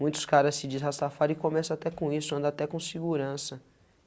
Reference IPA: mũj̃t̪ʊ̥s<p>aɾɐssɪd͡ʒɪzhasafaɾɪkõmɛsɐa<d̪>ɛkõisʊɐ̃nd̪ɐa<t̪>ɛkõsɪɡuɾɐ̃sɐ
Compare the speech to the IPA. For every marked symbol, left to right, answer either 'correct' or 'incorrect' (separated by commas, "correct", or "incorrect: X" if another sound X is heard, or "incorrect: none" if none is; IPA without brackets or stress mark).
incorrect: k, incorrect: t̪, correct